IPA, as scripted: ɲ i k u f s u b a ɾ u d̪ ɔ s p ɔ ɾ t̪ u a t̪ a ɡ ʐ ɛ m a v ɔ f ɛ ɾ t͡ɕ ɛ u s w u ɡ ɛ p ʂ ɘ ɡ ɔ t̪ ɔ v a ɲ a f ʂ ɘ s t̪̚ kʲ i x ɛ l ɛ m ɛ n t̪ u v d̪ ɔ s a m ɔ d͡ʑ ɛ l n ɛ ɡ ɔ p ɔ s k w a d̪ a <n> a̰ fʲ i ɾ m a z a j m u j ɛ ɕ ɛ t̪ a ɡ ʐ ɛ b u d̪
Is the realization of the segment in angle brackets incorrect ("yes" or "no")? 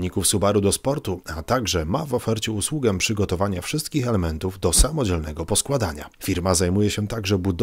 yes